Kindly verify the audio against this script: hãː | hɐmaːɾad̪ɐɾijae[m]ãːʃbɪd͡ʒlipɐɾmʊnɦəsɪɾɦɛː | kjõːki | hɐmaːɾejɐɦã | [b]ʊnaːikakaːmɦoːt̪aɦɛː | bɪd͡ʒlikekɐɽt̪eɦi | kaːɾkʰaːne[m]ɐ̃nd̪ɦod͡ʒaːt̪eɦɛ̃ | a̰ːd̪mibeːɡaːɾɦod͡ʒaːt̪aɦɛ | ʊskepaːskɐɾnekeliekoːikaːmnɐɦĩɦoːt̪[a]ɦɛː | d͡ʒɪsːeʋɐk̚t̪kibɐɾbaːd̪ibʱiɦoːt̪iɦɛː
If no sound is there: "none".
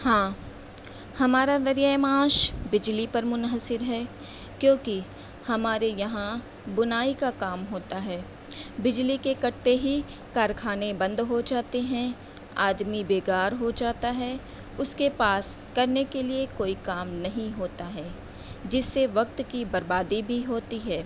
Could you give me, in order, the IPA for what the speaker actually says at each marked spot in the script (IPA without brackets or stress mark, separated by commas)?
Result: m, b, b, a